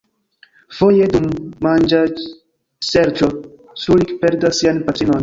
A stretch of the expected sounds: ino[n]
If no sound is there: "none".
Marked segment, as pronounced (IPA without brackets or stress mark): n